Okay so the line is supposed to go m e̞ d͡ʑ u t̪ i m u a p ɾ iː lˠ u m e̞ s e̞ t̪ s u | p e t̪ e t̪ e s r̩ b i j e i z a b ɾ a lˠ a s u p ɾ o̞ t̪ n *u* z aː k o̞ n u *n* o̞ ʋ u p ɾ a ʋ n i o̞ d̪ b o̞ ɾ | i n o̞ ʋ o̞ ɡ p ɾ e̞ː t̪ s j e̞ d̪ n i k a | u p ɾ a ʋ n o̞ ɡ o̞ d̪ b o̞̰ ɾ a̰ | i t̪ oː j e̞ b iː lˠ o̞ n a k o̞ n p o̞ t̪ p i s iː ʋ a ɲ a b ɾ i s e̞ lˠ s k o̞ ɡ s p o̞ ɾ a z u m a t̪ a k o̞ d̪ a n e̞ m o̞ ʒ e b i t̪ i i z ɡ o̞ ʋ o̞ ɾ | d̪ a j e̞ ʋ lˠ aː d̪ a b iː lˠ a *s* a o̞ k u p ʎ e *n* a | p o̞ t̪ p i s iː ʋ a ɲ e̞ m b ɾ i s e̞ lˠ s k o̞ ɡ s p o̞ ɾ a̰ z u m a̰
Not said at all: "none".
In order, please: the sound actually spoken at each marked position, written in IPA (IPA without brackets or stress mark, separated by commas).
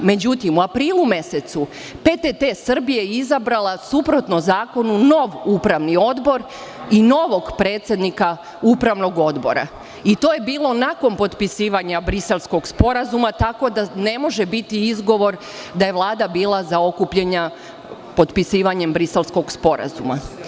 o, n, z, ɲ